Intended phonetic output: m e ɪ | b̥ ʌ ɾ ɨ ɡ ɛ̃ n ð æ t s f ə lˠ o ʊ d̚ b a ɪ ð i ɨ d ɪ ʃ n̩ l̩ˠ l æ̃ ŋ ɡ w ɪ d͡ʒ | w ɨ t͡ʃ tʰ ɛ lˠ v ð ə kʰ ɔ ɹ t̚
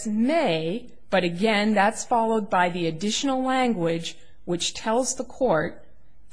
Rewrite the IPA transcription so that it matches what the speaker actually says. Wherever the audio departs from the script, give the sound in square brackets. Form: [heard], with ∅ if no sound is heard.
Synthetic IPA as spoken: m e ɪ | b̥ ʌ ɾ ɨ ɡ ɛ̃ n ð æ t s f [ɑ] lˠ o ʊ d̚ b a ɪ ð i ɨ d ɪ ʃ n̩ l̩ˠ l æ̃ ŋ ɡ w ɪ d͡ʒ | w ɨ t͡ʃ tʰ ɛ lˠ [z] ð ə kʰ ɔ ɹ t̚